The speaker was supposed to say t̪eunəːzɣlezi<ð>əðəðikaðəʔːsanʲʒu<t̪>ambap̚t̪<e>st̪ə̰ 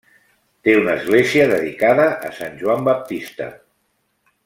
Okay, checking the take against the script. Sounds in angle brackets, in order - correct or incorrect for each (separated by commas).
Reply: incorrect, incorrect, incorrect